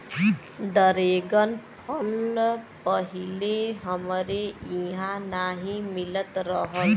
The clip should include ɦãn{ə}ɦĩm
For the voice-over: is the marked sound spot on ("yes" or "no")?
no